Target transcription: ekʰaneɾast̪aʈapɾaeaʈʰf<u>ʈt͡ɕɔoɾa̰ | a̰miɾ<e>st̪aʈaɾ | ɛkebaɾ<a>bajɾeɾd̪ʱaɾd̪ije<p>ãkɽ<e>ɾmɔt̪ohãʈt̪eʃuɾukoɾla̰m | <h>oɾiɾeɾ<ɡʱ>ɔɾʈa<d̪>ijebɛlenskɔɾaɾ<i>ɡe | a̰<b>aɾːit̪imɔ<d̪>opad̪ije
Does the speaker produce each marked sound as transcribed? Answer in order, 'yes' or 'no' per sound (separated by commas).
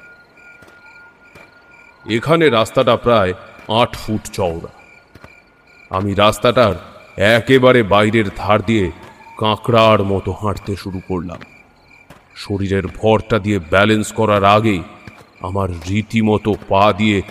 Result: yes, no, no, no, no, no, no, yes, no, no, no